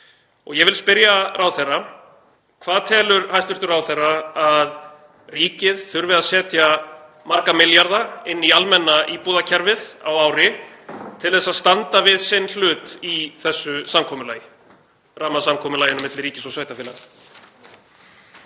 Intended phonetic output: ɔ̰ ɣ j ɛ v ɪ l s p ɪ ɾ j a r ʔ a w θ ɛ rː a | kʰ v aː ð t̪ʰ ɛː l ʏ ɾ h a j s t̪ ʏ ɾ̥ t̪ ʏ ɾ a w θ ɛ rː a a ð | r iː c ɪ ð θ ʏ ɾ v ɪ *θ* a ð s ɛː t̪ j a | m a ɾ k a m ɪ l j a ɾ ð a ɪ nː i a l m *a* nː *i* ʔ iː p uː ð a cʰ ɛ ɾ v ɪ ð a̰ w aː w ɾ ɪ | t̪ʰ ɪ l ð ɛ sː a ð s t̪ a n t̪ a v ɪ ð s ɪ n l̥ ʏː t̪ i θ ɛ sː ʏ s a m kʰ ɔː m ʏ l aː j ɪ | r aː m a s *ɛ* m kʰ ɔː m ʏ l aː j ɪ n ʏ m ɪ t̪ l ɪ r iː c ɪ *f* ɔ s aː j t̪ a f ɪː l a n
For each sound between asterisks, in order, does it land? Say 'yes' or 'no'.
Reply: no, no, no, no, no

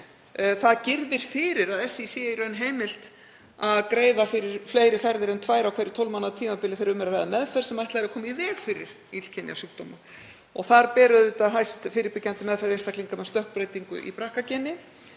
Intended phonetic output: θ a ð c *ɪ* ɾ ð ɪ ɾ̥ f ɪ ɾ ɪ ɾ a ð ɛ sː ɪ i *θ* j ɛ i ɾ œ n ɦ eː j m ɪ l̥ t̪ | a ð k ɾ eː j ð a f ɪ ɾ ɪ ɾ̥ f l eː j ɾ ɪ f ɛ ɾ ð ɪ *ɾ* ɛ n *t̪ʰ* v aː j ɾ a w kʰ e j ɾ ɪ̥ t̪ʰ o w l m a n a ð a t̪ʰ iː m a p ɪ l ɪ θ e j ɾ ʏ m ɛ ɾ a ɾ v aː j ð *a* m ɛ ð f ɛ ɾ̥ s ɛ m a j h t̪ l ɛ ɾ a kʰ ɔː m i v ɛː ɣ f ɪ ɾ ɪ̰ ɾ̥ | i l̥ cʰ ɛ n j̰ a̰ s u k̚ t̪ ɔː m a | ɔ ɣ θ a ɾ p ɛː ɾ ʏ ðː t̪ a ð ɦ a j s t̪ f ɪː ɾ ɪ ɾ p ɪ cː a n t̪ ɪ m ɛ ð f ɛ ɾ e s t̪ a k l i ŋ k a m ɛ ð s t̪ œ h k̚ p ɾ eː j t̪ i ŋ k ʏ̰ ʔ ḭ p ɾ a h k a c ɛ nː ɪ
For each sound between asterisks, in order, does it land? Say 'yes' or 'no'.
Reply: yes, no, yes, yes, yes

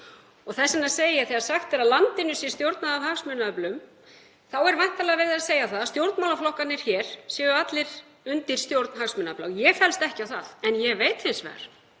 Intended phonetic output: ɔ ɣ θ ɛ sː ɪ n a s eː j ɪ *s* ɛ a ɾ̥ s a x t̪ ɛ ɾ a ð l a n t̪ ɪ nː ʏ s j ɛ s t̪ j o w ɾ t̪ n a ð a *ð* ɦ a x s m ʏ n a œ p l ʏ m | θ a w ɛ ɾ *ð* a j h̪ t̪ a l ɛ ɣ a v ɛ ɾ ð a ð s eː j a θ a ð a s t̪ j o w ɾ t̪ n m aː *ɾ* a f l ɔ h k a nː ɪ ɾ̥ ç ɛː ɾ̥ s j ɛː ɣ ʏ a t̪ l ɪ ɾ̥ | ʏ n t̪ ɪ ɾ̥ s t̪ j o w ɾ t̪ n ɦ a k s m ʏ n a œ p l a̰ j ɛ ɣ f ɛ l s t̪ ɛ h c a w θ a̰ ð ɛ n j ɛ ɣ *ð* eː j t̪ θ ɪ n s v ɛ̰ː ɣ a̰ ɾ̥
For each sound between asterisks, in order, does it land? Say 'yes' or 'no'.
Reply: no, no, no, no, no

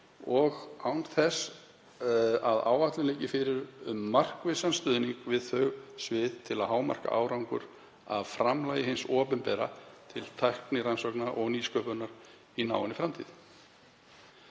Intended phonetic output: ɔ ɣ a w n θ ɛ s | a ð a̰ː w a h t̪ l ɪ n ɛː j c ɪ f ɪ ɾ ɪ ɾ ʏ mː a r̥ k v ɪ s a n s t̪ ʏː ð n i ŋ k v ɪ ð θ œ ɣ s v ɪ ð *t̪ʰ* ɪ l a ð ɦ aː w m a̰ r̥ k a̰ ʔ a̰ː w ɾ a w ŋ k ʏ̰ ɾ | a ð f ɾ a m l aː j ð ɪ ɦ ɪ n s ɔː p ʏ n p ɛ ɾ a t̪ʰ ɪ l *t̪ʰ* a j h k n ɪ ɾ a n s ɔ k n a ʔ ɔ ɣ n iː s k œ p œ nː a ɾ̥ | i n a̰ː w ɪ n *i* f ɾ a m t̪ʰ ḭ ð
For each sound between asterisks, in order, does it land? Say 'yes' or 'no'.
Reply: yes, yes, no

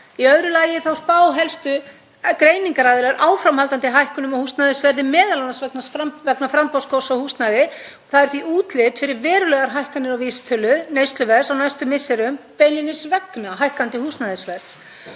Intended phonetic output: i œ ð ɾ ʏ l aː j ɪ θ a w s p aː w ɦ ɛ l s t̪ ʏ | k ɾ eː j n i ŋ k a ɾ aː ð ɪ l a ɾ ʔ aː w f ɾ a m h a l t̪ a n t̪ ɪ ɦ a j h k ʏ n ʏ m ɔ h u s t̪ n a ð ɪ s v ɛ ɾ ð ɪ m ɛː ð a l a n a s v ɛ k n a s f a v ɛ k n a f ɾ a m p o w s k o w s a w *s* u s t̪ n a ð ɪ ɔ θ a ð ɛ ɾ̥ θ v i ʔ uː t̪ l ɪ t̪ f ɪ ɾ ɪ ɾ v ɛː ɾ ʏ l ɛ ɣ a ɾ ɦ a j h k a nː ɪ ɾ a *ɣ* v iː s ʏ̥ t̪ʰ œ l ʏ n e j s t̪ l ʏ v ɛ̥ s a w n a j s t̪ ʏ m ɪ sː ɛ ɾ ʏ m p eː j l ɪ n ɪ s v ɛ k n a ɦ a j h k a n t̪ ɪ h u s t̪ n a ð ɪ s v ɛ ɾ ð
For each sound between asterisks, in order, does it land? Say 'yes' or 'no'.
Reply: no, no

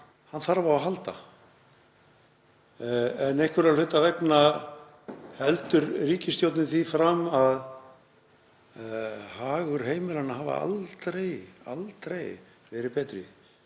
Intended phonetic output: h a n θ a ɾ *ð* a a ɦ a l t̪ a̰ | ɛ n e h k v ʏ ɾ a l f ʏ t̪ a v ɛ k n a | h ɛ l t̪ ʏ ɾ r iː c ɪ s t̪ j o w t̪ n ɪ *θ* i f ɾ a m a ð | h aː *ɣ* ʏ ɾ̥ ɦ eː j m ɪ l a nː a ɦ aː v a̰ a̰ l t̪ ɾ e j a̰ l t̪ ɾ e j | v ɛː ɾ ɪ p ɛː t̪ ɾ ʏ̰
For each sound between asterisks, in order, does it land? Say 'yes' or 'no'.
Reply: no, yes, yes

